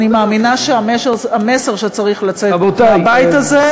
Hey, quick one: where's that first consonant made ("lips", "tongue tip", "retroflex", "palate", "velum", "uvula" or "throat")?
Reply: tongue tip